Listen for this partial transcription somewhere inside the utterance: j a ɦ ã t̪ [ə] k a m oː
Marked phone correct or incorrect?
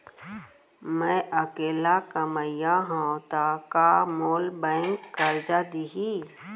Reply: incorrect